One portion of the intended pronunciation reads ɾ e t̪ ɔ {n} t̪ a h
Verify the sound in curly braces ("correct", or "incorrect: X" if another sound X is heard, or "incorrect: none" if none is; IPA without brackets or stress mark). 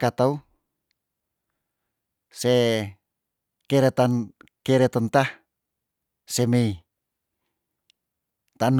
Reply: correct